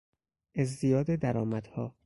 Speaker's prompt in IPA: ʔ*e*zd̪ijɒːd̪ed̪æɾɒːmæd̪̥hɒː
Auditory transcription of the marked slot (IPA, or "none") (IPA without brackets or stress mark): e